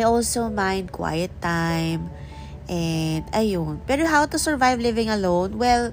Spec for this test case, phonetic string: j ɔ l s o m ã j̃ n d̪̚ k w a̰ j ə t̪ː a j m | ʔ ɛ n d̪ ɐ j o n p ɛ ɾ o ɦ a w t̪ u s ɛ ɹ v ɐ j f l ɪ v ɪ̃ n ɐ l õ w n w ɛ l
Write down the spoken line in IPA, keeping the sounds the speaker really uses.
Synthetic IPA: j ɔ l s o m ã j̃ n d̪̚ k w a̰ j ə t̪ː a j m | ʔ ɛ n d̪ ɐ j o n p ɛ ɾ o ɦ a w t̪ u s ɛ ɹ v a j v l ɪ v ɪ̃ ŋ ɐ l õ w n w ɛ l